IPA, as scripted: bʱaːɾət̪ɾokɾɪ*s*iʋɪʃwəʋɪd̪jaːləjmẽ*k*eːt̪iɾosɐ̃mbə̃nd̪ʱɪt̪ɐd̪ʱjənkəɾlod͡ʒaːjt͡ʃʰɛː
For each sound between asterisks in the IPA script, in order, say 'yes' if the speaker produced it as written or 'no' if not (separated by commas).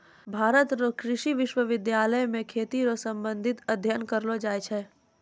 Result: no, no